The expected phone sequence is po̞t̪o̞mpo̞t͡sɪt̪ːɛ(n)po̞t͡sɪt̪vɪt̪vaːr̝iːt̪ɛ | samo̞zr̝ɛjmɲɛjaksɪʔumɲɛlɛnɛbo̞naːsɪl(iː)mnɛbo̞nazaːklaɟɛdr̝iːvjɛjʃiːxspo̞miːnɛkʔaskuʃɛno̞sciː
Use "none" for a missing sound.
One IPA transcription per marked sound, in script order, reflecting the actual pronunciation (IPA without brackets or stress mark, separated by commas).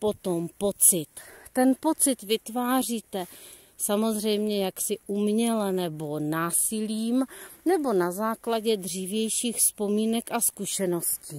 n, iː